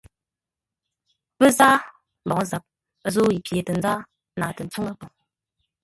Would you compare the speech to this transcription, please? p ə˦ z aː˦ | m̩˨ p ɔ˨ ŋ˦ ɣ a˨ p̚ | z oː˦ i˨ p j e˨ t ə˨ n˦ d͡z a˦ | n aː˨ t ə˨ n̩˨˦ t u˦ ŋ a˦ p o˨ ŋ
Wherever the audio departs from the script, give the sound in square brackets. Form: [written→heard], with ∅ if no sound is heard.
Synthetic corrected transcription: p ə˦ z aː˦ | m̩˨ [p→b] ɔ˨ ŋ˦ [ɣ→z] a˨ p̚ | z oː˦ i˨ p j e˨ t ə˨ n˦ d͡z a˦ | n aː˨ t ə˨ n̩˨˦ [t→t͡s] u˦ ŋ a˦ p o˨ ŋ

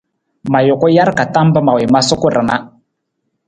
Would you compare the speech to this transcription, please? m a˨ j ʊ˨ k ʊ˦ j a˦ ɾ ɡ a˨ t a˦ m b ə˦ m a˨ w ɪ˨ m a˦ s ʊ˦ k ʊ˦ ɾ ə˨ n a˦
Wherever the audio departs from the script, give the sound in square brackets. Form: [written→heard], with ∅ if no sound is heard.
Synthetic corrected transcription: m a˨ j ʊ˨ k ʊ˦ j a˦ ɾ [ɡ→k] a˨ t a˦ m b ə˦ m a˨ w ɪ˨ m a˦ s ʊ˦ k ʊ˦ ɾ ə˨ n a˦

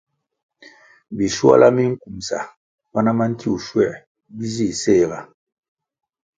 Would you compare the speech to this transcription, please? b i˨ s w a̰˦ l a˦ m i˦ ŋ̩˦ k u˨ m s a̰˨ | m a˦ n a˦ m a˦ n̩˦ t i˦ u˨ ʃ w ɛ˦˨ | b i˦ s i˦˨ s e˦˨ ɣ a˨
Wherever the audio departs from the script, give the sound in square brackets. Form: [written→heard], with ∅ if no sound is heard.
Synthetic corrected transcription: b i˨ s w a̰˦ l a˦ m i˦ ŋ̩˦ k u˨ m s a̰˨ | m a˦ n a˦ m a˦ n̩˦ t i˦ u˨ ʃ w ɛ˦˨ | b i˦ [s→z] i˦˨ s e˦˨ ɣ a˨

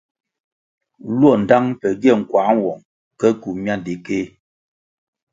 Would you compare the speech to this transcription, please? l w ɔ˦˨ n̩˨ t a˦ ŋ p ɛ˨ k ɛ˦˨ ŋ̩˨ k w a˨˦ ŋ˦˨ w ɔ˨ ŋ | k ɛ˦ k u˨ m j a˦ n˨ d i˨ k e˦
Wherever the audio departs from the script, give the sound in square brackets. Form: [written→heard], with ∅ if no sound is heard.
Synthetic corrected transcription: l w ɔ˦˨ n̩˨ [t→d] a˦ ŋ p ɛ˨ [k→ɡ] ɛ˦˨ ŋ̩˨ k w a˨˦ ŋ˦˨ w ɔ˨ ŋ | k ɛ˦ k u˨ m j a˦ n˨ d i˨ k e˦

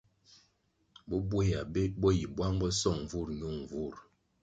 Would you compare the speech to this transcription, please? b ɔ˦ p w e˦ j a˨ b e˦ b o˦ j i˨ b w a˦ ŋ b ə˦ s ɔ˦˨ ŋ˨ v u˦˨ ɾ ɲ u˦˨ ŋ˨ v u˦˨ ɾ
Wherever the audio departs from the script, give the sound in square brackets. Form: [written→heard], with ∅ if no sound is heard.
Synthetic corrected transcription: b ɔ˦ [p→b] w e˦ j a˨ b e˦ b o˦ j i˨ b w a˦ ŋ b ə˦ s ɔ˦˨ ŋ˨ v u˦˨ ɾ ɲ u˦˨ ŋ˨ v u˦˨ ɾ

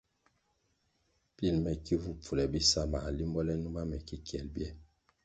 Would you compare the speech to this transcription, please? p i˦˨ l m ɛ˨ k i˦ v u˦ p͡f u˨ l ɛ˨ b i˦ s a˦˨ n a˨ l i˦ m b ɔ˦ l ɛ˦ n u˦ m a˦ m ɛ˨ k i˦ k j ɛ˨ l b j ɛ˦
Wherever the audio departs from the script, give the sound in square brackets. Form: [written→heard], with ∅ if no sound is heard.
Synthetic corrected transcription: p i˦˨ l m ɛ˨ k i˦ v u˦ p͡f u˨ l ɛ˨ b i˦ s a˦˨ [n→m] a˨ l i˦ m b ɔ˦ l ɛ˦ n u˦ m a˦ m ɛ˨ k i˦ k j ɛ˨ l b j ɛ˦

